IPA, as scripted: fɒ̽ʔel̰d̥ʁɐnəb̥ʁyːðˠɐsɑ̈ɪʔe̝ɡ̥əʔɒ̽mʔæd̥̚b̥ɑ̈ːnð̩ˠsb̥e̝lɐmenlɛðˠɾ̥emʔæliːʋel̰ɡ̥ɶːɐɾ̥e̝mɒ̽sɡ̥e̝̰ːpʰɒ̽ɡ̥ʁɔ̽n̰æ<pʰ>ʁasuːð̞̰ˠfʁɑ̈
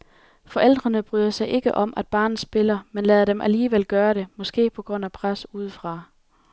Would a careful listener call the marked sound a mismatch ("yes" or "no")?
no